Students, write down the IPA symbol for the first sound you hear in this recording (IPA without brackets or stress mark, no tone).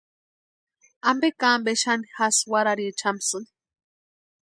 a